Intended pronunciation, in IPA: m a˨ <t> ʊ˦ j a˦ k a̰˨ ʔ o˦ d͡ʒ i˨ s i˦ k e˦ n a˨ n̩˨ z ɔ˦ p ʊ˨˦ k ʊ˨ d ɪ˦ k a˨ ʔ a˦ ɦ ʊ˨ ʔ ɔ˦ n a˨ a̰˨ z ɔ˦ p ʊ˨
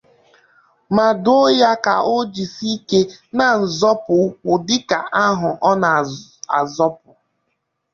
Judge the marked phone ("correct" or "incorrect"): incorrect